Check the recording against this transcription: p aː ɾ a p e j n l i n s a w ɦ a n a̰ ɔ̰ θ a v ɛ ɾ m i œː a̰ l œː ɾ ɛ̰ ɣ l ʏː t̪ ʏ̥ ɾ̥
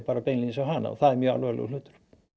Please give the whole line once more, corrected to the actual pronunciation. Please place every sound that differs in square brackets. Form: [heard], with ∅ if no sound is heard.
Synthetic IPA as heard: p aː ɾ a p e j n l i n s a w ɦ a n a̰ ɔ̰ θ a [ð] ɛ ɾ m [j] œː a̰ l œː [l] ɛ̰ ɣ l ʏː t̪ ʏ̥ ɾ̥